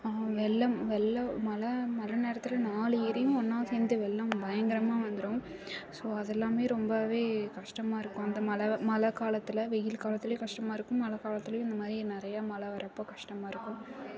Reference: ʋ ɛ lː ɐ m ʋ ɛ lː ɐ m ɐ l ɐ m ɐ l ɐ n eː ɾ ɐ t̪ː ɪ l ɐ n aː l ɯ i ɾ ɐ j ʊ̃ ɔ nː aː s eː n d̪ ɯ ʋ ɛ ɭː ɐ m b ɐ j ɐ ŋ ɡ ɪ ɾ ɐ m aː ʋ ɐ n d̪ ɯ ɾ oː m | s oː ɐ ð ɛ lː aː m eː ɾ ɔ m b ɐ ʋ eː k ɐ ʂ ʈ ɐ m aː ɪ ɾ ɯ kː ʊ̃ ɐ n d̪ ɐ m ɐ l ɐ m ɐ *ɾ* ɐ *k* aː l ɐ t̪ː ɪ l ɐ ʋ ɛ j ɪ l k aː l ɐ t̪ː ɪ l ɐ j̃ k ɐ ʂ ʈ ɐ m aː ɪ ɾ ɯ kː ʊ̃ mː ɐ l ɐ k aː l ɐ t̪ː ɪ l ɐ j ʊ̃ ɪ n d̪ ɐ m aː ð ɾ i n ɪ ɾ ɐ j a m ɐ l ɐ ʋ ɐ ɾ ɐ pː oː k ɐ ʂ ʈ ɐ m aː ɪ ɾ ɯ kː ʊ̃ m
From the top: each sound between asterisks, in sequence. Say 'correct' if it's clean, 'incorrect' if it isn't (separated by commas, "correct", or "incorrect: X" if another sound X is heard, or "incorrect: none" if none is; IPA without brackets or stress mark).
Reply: incorrect: l, correct